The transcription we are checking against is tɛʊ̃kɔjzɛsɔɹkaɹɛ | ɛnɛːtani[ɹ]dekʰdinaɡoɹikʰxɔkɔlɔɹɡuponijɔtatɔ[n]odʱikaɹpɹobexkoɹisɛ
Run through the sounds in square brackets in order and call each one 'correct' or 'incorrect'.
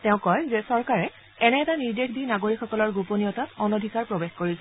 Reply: correct, correct

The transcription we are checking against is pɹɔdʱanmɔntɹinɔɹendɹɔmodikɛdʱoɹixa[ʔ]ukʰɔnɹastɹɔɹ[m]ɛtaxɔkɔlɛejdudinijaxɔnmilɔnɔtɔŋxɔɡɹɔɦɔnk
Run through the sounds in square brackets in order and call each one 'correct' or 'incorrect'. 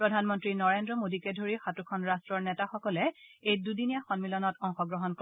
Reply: incorrect: t, incorrect: n

